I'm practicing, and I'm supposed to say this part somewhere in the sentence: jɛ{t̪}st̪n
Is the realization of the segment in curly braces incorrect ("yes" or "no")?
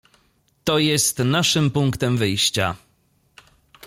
yes